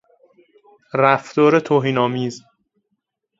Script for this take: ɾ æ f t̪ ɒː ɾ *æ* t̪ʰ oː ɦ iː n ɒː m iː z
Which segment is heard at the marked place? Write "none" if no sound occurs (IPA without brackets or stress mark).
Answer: e